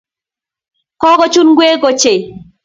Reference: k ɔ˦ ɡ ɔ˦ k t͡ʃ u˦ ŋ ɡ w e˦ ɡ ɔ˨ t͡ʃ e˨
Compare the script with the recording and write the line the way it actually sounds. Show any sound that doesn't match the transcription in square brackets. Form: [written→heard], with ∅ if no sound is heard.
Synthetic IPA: k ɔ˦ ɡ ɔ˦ [k→∅] t͡ʃ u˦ [ŋ→n] ɡ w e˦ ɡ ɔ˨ t͡ʃ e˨